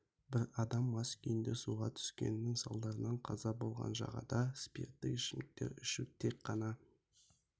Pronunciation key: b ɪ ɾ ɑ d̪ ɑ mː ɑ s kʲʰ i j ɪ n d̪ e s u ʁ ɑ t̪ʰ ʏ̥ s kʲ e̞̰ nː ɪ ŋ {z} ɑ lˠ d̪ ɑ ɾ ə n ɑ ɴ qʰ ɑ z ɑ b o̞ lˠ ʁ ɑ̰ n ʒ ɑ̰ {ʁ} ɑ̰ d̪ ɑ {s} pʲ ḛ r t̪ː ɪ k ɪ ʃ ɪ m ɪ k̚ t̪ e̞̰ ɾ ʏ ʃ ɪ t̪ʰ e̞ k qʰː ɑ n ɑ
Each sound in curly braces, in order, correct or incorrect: incorrect, correct, correct

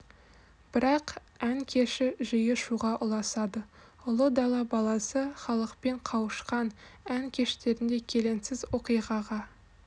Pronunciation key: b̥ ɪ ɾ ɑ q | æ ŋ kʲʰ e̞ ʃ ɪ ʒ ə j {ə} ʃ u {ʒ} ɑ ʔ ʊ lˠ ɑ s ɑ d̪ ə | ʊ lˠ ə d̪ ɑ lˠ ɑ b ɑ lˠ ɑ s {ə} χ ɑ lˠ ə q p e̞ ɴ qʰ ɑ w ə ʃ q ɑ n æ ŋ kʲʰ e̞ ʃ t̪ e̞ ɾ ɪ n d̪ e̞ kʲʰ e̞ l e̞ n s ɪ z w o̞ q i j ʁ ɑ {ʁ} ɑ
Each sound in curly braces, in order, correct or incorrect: correct, incorrect, correct, correct

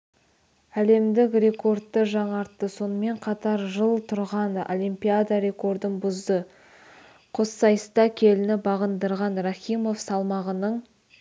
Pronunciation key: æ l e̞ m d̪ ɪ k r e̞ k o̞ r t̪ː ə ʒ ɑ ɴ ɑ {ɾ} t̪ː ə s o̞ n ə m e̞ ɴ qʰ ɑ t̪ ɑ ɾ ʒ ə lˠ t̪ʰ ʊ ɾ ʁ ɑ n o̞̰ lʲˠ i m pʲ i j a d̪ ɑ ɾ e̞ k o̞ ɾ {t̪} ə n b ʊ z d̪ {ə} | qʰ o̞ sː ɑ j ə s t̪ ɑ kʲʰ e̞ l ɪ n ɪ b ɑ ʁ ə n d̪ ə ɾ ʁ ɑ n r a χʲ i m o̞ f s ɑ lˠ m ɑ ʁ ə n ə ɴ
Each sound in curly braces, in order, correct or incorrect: correct, incorrect, correct

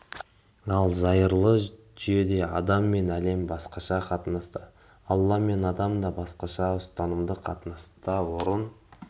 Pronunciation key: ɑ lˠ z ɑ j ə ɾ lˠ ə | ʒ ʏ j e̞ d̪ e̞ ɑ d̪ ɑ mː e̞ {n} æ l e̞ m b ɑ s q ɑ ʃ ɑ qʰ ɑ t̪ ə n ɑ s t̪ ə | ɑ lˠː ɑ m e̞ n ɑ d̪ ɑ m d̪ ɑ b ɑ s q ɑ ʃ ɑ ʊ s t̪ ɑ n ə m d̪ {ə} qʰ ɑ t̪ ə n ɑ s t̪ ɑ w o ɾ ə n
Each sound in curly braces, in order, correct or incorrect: correct, correct

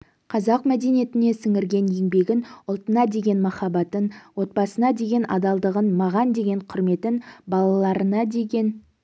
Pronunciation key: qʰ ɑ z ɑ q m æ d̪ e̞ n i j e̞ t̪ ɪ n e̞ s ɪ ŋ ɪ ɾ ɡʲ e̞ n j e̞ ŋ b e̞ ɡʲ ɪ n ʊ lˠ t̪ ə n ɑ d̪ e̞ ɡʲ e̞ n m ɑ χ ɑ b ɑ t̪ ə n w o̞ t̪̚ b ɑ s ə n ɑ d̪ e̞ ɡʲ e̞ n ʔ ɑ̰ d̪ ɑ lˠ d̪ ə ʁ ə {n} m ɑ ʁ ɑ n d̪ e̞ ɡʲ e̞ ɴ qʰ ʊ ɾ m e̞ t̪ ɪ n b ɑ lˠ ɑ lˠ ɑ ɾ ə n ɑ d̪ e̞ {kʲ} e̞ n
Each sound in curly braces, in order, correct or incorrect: correct, incorrect

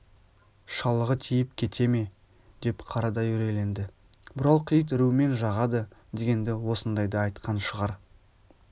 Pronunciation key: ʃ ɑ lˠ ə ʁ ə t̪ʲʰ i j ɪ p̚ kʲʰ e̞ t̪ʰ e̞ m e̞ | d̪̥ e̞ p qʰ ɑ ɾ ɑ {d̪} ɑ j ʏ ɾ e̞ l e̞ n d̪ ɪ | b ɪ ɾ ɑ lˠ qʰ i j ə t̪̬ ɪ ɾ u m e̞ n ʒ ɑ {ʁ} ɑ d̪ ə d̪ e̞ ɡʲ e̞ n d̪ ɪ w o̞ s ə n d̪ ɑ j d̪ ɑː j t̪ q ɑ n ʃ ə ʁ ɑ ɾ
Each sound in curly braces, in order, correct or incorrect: correct, correct

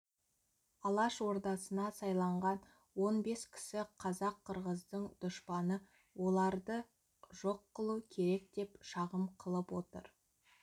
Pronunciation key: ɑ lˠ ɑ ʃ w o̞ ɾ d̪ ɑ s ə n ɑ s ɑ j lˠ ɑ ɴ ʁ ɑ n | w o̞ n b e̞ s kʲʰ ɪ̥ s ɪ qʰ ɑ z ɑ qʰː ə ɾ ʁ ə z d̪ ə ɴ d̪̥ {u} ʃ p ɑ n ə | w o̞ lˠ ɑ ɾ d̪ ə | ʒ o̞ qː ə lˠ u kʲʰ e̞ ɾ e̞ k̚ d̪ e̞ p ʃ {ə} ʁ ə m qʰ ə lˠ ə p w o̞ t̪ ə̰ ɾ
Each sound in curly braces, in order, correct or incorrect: incorrect, incorrect

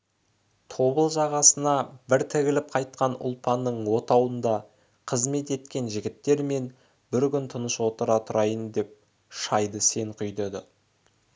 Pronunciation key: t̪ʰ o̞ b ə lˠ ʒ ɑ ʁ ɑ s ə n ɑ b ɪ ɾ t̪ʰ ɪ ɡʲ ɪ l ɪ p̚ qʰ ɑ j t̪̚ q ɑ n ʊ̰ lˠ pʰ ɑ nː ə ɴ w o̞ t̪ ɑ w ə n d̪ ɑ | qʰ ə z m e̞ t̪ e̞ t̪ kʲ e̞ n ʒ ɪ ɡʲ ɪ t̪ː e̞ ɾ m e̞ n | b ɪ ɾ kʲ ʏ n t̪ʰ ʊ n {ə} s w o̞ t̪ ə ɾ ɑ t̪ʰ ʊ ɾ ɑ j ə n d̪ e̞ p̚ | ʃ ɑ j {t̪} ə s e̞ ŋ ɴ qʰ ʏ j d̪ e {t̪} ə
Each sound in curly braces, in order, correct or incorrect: correct, incorrect, incorrect

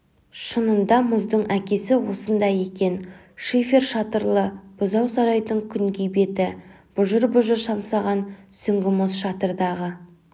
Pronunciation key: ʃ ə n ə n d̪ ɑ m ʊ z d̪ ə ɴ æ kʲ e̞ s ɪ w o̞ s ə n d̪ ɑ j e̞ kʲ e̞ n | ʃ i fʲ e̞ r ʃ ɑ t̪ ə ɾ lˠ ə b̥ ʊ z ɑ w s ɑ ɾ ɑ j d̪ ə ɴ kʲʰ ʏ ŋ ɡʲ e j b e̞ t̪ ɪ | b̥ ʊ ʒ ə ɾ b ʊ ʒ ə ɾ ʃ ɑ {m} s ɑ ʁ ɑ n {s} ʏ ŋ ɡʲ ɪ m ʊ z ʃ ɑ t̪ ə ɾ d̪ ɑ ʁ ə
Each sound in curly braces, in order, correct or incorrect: correct, correct

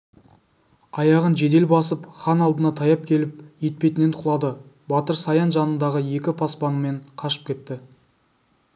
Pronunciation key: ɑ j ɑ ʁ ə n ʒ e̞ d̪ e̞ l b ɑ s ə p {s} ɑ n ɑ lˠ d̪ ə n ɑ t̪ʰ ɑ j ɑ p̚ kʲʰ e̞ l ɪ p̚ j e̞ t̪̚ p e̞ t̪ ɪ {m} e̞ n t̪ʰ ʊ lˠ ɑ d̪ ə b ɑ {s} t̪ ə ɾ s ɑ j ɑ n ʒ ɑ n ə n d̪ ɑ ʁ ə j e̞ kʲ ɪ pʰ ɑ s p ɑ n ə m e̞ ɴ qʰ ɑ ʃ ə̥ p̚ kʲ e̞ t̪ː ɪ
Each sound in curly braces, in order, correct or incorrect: incorrect, incorrect, incorrect

